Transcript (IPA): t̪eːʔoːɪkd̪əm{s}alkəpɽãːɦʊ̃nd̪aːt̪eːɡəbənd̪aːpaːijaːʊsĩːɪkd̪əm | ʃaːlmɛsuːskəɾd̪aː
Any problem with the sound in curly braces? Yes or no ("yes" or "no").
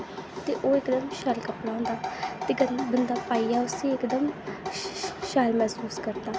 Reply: yes